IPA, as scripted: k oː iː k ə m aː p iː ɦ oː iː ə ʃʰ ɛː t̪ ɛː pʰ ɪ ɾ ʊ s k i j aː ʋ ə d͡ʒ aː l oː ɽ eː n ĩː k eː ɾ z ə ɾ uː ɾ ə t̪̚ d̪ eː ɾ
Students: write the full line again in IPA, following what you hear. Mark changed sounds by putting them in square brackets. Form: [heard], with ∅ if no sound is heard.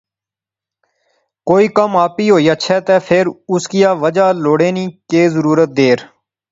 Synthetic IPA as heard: k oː iː k ə m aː p iː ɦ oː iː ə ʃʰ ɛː t̪ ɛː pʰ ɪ ɾ ʊ s k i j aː ʋ ə d͡ʒ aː l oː ɽ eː n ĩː k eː [∅] z ə ɾ uː ɾ ə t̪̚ d̪ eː ɾ